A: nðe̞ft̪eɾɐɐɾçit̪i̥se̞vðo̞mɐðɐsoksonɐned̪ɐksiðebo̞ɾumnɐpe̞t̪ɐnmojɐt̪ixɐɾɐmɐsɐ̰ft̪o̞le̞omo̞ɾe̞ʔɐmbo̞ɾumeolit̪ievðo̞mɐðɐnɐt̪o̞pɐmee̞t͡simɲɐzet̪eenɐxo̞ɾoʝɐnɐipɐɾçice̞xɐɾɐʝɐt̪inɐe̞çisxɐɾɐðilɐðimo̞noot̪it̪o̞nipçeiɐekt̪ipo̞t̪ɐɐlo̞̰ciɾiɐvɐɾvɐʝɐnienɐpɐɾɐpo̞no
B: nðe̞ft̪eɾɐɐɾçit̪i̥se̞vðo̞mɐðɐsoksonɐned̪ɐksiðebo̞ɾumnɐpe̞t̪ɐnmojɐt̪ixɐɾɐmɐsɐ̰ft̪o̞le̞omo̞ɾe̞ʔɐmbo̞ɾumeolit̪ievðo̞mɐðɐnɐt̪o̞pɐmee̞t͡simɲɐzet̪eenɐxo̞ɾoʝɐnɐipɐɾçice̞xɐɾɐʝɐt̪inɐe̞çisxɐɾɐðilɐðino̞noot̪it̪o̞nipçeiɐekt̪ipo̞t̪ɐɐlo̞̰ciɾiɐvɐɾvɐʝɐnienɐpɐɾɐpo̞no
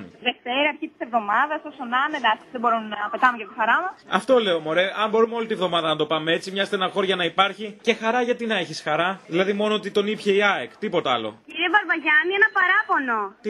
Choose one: A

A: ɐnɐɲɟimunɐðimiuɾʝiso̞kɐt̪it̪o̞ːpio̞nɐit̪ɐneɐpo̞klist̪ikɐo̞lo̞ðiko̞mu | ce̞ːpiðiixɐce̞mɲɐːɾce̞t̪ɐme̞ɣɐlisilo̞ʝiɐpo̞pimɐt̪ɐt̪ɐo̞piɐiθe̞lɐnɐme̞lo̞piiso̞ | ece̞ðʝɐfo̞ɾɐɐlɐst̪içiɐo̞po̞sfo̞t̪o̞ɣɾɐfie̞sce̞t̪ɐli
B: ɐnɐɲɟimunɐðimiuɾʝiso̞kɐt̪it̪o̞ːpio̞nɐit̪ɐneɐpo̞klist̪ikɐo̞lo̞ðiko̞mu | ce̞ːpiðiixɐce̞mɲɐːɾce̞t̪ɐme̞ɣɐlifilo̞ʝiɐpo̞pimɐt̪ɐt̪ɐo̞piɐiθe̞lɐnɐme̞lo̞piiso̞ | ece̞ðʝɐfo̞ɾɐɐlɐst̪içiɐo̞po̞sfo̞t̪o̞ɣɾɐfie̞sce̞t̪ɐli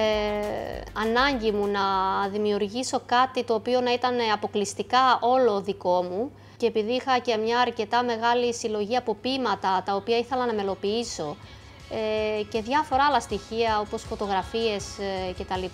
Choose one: A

